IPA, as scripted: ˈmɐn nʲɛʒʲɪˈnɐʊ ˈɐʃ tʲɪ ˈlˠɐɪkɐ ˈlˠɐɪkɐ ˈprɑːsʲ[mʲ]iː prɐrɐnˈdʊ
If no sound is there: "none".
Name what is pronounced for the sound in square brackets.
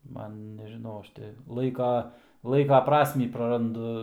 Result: mʲ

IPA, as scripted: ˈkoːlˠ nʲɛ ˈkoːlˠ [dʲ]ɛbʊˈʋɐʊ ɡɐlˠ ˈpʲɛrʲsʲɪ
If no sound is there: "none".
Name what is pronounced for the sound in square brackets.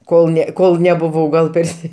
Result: nʲ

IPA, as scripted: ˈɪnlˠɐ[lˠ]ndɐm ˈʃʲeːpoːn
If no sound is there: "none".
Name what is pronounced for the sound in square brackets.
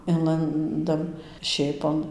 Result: none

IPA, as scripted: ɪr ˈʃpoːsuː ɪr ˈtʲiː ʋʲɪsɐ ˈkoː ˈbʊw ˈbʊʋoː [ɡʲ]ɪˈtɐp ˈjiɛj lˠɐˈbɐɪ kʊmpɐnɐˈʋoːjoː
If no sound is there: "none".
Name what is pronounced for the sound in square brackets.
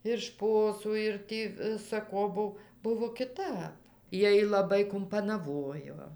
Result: kʲ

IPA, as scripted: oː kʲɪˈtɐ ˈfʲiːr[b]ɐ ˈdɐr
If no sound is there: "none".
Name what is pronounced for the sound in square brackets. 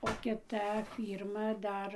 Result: m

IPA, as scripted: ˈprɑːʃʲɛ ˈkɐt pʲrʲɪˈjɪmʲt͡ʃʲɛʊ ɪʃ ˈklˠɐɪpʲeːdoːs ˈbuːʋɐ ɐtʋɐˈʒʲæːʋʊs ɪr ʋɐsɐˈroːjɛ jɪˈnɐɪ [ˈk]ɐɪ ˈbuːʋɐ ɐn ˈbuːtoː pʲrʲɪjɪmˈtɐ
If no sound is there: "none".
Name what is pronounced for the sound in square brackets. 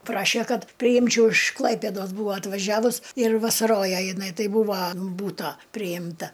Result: t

